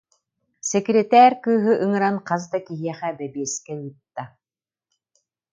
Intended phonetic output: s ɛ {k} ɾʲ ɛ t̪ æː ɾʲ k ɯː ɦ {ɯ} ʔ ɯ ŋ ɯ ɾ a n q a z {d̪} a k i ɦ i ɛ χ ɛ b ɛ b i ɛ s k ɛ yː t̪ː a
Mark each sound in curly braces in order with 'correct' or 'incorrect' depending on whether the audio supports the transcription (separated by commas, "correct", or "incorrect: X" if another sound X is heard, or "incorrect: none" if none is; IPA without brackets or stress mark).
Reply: correct, correct, correct